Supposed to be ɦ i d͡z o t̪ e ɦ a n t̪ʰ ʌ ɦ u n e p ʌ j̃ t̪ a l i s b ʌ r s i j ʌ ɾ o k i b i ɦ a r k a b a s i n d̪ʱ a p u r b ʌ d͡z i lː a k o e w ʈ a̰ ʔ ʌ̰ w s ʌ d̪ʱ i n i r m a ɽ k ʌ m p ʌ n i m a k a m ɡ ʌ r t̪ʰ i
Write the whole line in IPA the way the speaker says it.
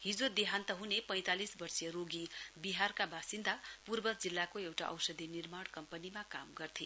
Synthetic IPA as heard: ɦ i d͡z o d̪ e ɦ a n t̪ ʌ ɦ u n e p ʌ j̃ t̪ a l i s b ʌ r s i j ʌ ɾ o ɡ i b i ɦ a r k a b a s i n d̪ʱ a p u r b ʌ d͡z i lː a k o e w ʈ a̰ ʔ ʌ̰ w s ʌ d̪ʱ i n i r m a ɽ k ʌ m p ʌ n i m a k a m ɡ ʌ r t̪ʰ i